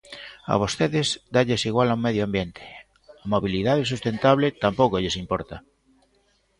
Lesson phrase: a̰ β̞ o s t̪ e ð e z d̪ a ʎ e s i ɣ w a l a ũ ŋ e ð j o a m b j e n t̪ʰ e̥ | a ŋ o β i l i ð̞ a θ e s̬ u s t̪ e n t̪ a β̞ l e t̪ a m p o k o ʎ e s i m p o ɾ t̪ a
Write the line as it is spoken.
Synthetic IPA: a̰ β̞ o s t̪ e ð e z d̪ a ʎ e s i ɣ w a l a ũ m e ð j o a m b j e n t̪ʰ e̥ | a m o β i l i ð̞ a ð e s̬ u s t̪ e n t̪ a β̞ l e t̪ a m p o k o ʎ e s i m p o ɾ t̪ a